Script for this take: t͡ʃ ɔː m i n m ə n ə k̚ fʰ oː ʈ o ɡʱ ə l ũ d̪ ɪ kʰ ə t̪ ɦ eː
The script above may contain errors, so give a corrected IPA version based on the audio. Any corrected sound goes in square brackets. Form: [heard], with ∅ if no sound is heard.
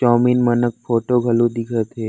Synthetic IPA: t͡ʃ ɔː m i n m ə n ə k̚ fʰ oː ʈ o ɡʱ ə l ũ d̪ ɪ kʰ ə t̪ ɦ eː